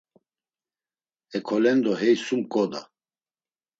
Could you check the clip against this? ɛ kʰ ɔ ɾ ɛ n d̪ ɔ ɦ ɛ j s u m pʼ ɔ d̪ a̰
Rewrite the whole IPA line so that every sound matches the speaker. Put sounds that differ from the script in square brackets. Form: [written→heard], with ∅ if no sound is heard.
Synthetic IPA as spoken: ɛ kʰ ɔ [ɾ→l] ɛ n d̪ ɔ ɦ ɛ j s u m [pʼ→kʼ] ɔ d̪ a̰